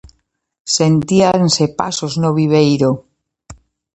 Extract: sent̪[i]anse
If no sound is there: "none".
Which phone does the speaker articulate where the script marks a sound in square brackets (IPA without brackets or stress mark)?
i